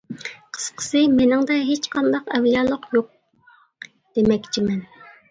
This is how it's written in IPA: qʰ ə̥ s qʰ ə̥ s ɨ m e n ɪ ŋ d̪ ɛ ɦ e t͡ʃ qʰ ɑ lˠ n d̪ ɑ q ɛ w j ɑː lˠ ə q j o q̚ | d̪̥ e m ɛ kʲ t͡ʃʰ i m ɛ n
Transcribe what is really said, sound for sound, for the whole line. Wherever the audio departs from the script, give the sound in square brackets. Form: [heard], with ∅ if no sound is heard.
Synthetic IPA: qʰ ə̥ s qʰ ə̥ s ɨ m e n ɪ ŋ d̪ ɛ ɦ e t͡ʃ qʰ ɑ [∅] n d̪ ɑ q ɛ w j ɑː lˠ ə q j o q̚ | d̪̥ e m ɛ kʲ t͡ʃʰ i m ɛ n